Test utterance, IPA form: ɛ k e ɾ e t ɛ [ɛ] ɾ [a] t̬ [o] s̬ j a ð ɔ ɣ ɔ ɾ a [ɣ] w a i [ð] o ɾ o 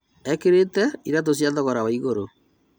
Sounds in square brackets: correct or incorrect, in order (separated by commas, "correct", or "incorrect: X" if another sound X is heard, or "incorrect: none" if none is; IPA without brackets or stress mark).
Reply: incorrect: i, correct, correct, incorrect: none, incorrect: ɣ